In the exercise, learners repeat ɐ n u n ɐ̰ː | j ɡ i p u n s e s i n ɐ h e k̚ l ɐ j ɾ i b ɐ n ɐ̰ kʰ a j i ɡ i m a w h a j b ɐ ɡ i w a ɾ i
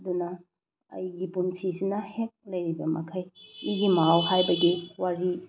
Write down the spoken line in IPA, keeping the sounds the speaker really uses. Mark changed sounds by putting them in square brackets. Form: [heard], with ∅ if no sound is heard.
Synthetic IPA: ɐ [d] u n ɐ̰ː | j ɡ i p u n s [i] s i n ɐ h e k̚ l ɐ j ɾ i b ɐ [m] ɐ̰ kʰ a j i ɡ i m a w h a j b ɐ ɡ i w a ɾ i